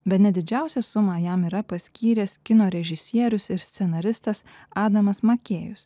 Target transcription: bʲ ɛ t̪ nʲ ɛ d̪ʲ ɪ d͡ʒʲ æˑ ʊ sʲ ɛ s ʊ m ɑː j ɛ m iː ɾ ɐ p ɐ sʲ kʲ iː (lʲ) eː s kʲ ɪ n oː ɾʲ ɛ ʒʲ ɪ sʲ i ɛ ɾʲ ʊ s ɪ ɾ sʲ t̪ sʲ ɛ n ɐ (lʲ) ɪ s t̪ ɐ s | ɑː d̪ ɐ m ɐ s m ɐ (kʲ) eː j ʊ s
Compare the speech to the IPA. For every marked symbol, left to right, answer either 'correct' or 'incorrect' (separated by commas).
incorrect, incorrect, correct